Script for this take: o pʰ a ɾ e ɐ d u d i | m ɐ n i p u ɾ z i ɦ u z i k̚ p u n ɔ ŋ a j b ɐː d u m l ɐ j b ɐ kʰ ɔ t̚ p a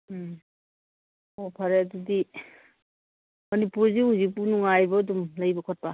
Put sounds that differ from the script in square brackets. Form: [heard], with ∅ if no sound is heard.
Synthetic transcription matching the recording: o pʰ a ɾ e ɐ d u d i | m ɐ n i p u ɾ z i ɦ u z i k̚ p u n [u] ŋ a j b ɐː d u m l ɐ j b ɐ kʰ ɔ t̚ p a